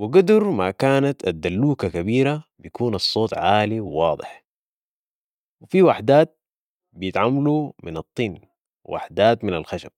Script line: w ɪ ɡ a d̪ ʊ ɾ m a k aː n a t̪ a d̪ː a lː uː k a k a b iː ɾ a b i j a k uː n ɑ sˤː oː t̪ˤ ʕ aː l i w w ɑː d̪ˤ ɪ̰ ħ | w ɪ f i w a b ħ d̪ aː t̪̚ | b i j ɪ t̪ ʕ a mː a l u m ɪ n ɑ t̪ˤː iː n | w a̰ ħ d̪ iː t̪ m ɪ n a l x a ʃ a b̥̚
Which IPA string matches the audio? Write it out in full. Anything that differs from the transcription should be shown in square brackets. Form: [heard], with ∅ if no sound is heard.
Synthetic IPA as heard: w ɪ ɡ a d̪ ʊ ɾ m a k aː n a t̪ a d̪ː a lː uː k a k a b iː ɾ a b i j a k uː n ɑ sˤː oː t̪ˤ ʕ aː l i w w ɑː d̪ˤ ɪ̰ ħ | w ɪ f i w a [∅] ħ d̪ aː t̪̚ | b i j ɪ t̪ ʕ a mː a l u m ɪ n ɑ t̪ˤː iː n | w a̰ ħ d̪ [aː] t̪ m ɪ n a l x a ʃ a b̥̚